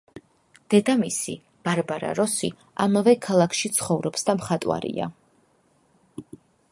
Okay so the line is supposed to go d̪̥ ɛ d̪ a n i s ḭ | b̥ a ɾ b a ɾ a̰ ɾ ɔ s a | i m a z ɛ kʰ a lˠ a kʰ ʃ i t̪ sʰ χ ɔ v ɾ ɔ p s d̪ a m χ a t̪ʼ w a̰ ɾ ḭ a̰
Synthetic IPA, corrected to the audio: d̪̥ ɛ d̪ a m i s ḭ | b̥ a ɾ b a ɾ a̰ ɾ ɔ s i | a m a v ɛ kʰ a lˠ a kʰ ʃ i t̪ sʰ χ ɔ v ɾ ɔ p s d̪ a m χ a t̪ʼ w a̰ ɾ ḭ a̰